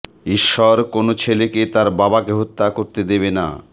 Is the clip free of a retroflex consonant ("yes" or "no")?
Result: yes